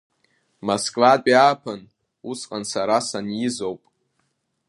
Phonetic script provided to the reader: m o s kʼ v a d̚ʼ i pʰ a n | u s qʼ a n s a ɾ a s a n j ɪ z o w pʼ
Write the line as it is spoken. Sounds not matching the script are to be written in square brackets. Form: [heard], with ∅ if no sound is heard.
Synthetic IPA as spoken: m o s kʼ v a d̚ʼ [a] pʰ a n | u s qʼ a n s a ɾ a s a n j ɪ z o w pʼ